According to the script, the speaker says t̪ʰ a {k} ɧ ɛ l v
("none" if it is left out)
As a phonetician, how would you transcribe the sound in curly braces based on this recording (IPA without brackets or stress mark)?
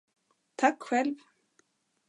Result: k